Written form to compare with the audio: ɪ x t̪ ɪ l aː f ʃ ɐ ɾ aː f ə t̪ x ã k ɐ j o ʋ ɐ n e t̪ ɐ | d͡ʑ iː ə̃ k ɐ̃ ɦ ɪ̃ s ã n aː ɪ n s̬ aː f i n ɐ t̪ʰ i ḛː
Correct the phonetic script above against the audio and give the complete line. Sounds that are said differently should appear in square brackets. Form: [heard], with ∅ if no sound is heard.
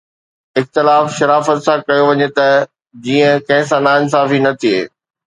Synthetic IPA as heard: ɪ x t̪ ɪ l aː f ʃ ɐ ɾ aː f ə t̪ [s] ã k ɐ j o ʋ ɐ [ɲ] e t̪ ɐ | d͡ʑ iː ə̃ k ɐ̃ ɦ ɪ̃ s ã n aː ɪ n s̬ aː f i n ɐ t̪ʰ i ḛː